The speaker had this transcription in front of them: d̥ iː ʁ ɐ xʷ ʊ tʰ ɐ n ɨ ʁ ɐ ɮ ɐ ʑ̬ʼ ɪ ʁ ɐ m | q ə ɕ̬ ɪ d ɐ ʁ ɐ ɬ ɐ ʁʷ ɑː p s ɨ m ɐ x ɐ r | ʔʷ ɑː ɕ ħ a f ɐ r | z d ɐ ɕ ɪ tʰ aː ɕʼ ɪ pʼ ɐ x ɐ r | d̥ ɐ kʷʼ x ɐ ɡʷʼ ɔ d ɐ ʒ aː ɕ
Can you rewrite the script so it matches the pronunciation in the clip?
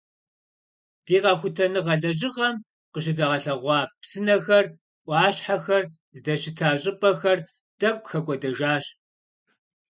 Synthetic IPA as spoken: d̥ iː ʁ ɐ xʷ ʊ tʰ ɐ n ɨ ʁ ɐ ɮ ɐ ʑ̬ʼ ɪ ʁ ɐ m | q ə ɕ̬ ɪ d ɐ ʁ ɐ ɬ ɐ ʁʷ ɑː p s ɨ n ɐ x ɐ r | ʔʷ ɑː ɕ ħ a x ɐ r | z d ɐ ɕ ɪ tʰ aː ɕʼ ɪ pʼ ɐ x ɐ r | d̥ ɐ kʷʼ x ɐ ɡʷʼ ɔ d ɐ ʒ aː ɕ

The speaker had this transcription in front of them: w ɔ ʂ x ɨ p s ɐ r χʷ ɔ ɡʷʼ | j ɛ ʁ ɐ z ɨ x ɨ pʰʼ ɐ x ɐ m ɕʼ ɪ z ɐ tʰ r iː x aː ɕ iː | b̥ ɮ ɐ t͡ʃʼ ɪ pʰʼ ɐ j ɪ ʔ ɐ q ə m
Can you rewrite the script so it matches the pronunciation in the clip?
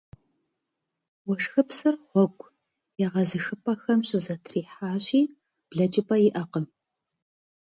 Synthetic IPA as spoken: w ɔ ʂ x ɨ p s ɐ r χʷ ɔ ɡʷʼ | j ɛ ʁ ɐ z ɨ x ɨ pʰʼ ɐ x ɐ m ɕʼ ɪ z ɐ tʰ r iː ħ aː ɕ iː | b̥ ɮ ɐ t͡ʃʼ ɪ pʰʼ ɐ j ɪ ʔ ɐ q ə m

